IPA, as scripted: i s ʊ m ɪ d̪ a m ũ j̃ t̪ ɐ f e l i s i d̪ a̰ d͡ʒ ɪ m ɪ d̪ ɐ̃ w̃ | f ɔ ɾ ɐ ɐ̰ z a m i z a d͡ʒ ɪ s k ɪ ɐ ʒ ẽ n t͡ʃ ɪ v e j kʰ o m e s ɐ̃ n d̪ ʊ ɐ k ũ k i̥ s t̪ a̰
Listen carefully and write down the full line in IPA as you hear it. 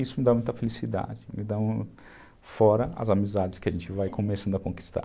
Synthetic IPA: i s ʊ m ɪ d̪ a m ũ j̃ t̪ ɐ f e l i s i d̪ a̰ d͡ʒ ɪ m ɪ d̪ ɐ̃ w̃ | f ɔ ɾ ɐ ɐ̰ z a m i z a d͡ʒ ɪ s k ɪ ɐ ʒ ẽ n t͡ʃ ɪ v a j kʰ o m e s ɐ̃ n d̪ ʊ ɐ k õ k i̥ s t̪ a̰